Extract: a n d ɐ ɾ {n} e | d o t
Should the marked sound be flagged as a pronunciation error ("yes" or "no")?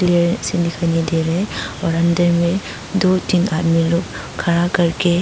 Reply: yes